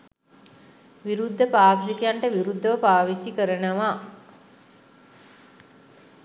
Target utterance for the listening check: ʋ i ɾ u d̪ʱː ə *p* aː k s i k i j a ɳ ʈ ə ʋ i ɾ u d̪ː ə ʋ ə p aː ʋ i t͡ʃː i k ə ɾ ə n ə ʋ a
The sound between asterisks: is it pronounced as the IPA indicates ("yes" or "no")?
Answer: yes